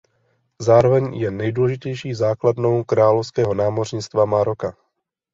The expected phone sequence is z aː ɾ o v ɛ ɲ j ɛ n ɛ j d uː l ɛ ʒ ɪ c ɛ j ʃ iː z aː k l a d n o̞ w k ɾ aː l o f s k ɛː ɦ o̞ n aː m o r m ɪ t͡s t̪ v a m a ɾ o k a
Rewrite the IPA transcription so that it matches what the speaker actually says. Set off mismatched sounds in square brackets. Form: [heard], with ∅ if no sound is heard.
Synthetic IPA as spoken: z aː ɾ o v ɛ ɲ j ɛ n ɛ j d uː l ɛ ʒ ɪ c ɛ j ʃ iː z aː k l a d n o̞ w k ɾ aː l o f s k ɛː ɦ o̞ n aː m o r [ɲ] ɪ t͡s t̪ v a m a ɾ o k a